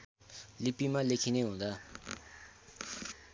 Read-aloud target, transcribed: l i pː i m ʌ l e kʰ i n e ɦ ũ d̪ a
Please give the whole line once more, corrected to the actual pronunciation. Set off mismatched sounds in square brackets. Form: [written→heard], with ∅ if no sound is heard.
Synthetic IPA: l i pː i m [ʌ→a] l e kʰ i n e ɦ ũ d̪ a